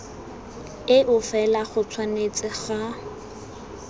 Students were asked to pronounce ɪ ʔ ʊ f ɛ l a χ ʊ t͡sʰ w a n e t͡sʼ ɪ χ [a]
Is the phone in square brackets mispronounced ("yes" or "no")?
no